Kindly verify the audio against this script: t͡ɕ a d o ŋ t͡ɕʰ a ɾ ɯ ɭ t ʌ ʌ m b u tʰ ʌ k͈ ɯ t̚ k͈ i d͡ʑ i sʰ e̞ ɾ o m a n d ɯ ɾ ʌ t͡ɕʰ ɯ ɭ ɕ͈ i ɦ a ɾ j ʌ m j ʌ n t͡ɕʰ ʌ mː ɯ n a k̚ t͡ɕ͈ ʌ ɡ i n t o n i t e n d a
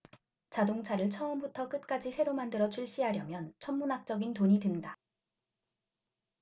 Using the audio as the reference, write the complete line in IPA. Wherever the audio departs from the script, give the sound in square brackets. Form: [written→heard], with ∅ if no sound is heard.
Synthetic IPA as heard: t͡ɕ a d o ŋ t͡ɕʰ a ɾ ɯ ɭ [t→t͡ɕʰ] ʌ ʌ m b u tʰ ʌ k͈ ɯ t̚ k͈ [i→a] d͡ʑ i sʰ e̞ ɾ o m a n d ɯ ɾ ʌ t͡ɕʰ [ɯ→u] ɭ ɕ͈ i ɦ a ɾ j ʌ m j ʌ n t͡ɕʰ ʌ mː [ɯ→u] n a k̚ t͡ɕ͈ ʌ ɡ i n t o [n→ɲ] i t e n d a